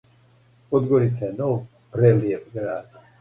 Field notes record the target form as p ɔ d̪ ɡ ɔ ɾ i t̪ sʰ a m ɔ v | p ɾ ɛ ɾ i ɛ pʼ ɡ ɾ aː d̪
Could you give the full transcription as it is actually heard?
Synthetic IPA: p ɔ d̪ ɡ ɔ ɾ i t̪ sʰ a n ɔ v | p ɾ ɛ l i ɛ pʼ ɡ ɾ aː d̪